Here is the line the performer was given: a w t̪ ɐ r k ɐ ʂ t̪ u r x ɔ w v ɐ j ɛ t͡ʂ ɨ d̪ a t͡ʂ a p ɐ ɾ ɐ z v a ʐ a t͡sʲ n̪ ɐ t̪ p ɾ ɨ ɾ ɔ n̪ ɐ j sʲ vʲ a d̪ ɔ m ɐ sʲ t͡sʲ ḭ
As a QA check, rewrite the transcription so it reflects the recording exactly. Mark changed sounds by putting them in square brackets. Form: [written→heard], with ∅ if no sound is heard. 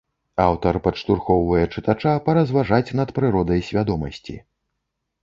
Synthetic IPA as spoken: a w t̪ ɐ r [k→p] ɐ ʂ t̪ u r x ɔ w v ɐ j ɛ t͡ʂ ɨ [d̪→t̪] a t͡ʂ a p ɐ ɾ ɐ z v a ʐ a t͡sʲ n̪ ɐ t̪ p ɾ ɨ ɾ ɔ [n̪→d̪] ɐ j sʲ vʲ a d̪ ɔ m ɐ sʲ t͡sʲ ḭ